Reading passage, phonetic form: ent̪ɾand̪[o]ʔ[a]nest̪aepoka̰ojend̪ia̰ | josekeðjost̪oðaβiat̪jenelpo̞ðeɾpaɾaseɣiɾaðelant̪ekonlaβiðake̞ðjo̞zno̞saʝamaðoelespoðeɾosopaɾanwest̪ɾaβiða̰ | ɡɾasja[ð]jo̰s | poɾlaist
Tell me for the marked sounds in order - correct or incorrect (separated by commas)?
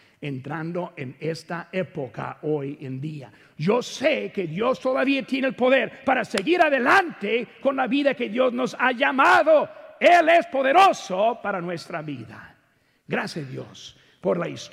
correct, incorrect, correct